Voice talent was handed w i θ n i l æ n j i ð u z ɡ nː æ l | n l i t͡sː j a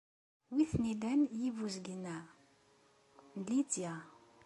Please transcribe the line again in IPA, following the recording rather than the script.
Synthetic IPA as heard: w i θ n i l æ n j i v u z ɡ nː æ | n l i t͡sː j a